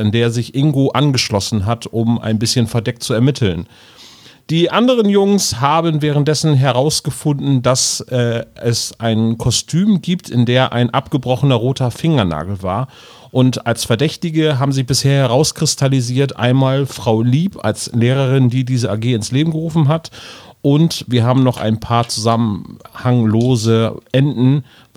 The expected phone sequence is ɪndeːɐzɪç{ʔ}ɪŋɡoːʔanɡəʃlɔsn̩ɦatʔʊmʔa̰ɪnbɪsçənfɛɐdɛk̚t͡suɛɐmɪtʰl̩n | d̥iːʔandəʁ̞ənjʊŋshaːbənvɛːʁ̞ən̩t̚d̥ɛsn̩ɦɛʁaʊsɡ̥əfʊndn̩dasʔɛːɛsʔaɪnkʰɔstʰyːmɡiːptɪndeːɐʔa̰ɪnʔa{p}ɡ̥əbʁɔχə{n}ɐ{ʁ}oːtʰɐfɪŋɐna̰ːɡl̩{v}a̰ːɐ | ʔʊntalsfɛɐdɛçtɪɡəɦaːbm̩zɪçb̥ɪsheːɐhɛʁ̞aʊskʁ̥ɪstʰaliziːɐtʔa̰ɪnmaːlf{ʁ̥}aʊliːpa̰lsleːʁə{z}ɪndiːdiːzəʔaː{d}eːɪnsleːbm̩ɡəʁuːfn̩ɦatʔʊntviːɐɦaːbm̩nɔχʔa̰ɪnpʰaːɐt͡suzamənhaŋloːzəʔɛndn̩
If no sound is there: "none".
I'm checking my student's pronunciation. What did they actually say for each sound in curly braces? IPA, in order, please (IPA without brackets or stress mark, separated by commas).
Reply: ʔ, p, n, ʁ, v, ʁ̥, ʁ, ɡ